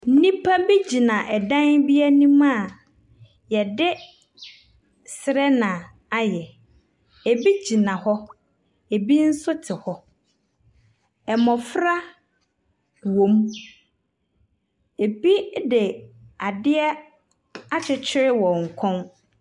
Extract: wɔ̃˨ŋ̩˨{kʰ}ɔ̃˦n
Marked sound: correct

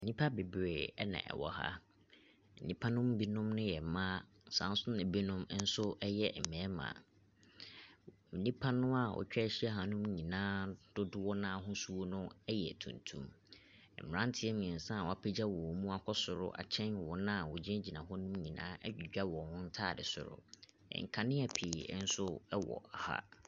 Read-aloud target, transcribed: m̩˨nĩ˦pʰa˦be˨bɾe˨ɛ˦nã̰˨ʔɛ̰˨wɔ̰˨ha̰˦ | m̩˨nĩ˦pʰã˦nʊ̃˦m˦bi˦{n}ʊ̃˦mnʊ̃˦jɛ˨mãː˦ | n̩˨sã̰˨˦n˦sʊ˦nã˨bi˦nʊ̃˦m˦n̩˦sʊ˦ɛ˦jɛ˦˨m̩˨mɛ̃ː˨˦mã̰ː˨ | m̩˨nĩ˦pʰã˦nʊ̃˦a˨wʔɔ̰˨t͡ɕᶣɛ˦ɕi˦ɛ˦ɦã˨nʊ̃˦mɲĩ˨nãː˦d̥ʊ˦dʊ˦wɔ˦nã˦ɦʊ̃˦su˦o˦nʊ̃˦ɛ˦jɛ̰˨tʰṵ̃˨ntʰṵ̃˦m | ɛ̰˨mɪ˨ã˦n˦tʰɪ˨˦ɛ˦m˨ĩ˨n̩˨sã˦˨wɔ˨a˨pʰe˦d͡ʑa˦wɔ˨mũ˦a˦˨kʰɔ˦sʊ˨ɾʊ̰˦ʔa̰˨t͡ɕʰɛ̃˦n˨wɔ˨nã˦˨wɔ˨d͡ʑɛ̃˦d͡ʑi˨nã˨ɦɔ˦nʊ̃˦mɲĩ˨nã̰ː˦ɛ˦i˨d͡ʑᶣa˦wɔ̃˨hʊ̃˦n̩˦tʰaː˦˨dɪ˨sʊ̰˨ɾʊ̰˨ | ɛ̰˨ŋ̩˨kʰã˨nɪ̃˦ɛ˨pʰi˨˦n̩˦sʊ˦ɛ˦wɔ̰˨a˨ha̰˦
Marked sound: correct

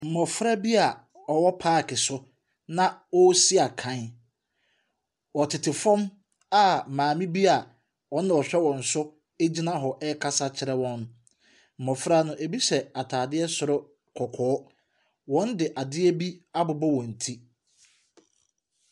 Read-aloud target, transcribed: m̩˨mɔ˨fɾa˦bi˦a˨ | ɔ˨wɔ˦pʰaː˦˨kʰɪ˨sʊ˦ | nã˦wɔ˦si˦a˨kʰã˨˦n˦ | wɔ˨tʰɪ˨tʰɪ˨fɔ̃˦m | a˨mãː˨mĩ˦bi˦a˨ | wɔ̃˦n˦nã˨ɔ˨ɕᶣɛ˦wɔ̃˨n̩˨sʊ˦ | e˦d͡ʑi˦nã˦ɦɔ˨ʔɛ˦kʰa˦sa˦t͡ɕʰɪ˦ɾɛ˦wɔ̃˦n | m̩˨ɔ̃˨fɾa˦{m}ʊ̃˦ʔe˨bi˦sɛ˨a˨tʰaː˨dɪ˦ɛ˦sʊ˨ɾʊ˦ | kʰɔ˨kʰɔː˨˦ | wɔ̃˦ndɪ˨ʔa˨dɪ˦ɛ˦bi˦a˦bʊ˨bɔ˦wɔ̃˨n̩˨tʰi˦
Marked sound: incorrect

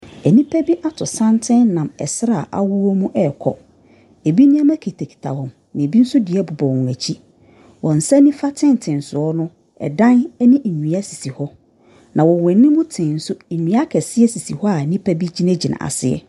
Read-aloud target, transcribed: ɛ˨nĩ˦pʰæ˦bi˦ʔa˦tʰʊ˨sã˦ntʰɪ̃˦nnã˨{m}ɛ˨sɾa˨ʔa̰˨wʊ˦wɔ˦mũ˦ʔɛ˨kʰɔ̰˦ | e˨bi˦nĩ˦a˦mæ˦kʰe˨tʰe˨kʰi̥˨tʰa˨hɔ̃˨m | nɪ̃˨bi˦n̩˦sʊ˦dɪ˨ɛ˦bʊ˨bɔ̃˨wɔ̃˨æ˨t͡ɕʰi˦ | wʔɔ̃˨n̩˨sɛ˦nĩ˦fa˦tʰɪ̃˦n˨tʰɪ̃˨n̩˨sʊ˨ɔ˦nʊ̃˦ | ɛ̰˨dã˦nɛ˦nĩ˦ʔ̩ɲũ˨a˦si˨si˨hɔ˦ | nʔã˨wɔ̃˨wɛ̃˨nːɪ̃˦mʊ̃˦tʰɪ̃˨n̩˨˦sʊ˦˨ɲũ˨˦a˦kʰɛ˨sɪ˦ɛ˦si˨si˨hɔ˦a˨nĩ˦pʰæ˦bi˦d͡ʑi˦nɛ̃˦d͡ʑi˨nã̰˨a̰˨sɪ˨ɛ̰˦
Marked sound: correct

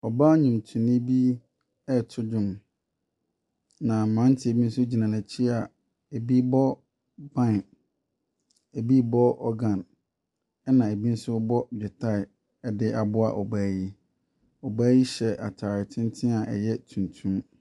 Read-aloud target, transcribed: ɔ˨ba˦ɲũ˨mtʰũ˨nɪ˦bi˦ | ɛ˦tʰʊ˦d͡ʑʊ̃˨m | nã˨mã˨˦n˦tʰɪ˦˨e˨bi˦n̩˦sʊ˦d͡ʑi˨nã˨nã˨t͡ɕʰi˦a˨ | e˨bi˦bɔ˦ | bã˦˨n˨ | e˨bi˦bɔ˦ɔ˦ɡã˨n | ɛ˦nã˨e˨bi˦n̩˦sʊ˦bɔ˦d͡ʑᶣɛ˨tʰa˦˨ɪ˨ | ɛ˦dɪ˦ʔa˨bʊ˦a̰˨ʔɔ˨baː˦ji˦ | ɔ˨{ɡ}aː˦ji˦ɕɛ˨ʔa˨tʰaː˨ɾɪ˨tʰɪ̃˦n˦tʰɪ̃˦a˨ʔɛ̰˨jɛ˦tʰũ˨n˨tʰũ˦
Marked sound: incorrect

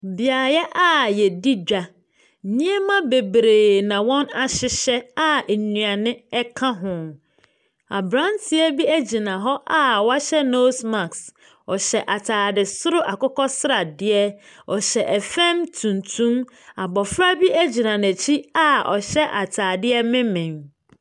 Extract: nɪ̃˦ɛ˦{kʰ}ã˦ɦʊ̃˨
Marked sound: correct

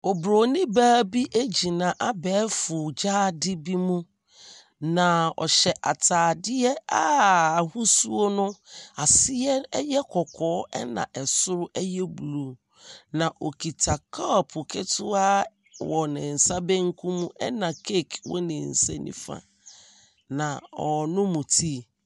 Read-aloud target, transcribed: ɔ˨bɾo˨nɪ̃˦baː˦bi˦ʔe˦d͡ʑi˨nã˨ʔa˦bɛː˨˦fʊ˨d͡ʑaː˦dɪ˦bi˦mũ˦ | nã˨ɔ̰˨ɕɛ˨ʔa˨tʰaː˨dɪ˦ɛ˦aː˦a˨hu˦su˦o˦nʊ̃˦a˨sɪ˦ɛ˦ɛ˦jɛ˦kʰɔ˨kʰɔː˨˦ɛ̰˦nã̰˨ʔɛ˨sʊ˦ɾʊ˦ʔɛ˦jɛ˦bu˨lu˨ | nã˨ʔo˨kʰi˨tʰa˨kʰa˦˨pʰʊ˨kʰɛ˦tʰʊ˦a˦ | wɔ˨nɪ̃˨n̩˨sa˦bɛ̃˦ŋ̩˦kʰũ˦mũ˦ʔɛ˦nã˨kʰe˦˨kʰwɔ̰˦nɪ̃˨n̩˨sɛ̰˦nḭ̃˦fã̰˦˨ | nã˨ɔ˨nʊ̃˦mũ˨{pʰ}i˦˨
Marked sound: incorrect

